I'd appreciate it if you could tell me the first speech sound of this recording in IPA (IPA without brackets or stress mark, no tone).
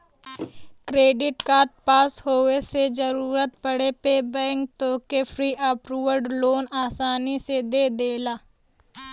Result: k